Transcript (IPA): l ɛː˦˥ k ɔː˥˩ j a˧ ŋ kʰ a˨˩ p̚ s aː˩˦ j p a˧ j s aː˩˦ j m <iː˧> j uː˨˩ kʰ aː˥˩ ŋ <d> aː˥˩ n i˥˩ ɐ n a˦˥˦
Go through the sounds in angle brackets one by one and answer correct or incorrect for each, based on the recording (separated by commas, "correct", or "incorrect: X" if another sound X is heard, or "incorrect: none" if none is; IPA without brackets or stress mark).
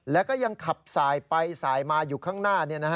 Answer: incorrect: aː˧, incorrect: n